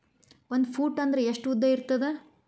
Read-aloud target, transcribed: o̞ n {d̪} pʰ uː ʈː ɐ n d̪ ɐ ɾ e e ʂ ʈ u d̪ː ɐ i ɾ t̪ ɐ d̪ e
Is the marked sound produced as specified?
yes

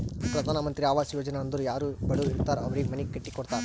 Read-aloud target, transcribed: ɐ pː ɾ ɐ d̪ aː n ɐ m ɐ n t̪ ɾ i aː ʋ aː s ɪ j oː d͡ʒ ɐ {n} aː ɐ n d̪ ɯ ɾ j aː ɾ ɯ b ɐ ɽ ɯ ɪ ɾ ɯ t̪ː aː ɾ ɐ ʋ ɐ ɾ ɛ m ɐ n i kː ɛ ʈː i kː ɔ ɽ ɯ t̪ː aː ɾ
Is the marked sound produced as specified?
yes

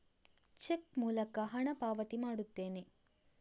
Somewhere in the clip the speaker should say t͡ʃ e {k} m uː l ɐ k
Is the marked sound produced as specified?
yes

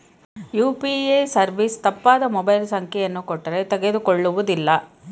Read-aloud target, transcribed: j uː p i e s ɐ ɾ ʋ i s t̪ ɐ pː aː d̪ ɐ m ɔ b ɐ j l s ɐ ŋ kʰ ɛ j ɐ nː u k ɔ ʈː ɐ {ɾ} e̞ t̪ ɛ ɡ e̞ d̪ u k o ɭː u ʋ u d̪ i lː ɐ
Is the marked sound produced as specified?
yes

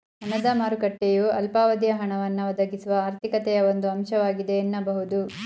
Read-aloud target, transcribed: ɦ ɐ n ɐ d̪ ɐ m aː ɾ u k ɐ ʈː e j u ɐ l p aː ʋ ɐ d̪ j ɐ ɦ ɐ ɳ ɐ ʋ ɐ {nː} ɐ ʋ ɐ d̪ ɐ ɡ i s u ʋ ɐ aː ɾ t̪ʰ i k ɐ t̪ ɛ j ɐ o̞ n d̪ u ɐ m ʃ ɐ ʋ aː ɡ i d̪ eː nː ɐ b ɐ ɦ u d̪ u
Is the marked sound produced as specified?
yes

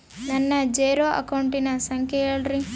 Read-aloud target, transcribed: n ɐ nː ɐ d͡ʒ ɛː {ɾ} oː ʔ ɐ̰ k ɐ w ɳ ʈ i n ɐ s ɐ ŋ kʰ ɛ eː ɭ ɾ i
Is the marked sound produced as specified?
yes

